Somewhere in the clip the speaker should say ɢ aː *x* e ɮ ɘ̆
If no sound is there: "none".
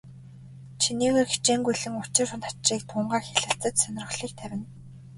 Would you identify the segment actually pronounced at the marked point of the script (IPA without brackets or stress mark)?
x